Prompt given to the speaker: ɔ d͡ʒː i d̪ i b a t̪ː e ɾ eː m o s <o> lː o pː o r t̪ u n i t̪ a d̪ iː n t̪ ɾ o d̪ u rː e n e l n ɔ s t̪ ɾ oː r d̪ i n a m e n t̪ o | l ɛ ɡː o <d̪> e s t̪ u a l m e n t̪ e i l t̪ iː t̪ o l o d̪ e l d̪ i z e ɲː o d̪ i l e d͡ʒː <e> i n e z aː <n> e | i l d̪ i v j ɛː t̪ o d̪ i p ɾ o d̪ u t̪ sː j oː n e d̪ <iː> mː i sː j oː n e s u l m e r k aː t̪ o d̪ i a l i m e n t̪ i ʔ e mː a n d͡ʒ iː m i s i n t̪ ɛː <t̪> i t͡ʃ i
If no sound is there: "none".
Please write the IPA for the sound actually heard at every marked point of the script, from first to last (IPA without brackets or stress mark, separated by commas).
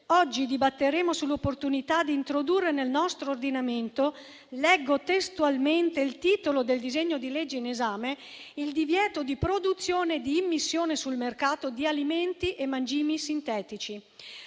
u, t̪, e, m, iː, t̪